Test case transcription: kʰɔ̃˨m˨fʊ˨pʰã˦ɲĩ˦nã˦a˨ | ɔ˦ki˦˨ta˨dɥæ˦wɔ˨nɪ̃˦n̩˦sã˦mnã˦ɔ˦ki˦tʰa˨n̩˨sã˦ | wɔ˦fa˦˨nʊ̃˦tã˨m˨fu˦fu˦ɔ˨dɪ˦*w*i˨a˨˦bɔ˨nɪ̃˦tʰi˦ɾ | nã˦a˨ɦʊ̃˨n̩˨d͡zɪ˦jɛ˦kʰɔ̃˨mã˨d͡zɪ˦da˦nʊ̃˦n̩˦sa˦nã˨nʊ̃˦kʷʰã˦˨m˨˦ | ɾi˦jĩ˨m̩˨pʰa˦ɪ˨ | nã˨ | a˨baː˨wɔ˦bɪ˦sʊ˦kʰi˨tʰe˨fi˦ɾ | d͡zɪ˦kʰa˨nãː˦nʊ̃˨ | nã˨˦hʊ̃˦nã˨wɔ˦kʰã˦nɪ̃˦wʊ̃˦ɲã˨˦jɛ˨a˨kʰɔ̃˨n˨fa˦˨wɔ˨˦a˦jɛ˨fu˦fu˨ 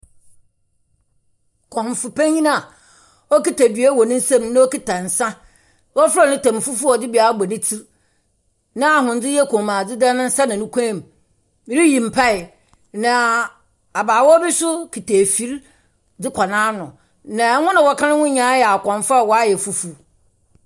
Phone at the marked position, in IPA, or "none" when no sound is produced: b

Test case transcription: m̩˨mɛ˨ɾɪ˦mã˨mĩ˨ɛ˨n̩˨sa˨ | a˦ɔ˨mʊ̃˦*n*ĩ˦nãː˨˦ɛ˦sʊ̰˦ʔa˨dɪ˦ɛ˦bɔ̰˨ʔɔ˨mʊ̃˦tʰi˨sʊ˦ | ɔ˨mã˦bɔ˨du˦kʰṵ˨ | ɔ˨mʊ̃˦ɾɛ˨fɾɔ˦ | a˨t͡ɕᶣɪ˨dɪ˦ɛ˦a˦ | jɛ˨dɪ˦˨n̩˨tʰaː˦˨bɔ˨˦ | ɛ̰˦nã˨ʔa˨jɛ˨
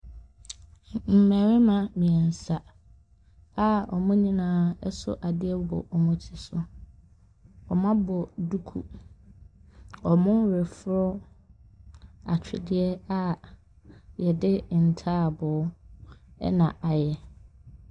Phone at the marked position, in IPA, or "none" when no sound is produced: ɲ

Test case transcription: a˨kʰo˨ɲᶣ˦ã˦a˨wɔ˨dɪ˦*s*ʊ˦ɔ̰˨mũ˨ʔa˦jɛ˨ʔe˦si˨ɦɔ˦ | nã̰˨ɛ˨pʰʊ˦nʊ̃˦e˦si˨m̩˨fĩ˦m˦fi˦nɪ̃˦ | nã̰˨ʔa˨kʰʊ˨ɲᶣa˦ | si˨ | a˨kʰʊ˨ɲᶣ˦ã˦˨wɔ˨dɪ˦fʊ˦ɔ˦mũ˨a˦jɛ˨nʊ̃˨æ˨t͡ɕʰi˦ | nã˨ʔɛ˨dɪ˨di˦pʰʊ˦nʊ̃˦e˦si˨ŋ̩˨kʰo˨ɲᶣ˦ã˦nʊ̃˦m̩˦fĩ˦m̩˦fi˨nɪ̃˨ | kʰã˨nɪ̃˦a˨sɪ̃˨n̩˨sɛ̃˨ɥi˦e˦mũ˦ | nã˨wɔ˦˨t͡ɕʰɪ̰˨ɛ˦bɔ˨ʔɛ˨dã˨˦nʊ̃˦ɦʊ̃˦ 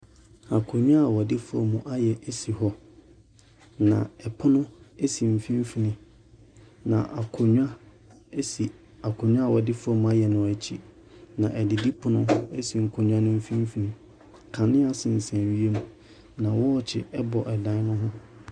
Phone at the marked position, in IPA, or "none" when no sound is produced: f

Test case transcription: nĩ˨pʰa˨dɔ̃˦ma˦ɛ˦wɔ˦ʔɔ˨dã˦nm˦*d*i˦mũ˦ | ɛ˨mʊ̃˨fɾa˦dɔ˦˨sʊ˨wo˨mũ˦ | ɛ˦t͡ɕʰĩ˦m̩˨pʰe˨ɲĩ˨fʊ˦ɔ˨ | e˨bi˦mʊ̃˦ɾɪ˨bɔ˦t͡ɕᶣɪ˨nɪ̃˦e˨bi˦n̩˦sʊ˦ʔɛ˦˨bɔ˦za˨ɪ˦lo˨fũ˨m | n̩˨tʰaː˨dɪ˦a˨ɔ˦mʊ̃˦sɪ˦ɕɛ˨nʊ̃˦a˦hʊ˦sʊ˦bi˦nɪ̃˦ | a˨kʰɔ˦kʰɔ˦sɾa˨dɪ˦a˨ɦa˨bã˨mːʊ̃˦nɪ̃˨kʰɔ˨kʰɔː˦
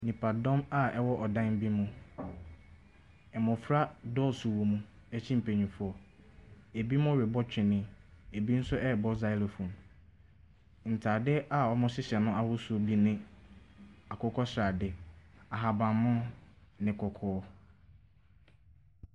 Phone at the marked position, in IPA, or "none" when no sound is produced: b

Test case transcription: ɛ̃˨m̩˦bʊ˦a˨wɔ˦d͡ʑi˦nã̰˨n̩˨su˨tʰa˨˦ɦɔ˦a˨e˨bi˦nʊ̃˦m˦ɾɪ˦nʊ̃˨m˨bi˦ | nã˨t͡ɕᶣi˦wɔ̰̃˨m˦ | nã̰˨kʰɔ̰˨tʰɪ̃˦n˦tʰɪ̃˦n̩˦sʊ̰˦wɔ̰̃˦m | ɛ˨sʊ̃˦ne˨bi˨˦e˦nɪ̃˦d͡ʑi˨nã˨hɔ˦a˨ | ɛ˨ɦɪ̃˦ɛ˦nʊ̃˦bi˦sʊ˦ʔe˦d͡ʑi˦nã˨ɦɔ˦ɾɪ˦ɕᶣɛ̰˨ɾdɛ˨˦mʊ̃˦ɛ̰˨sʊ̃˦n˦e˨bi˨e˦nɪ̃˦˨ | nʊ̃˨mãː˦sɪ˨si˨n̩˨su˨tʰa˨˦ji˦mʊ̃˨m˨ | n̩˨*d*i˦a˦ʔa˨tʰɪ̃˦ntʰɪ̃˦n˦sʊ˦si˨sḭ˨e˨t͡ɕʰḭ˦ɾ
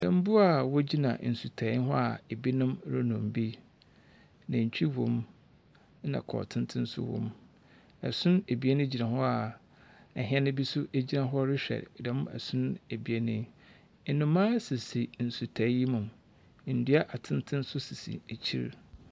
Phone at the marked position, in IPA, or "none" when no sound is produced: d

